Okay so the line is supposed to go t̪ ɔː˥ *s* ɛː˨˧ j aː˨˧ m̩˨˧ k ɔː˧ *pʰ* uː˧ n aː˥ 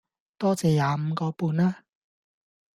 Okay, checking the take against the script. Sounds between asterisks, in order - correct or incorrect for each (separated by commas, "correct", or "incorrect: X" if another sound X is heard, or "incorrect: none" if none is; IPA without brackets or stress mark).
incorrect: t͡s, incorrect: p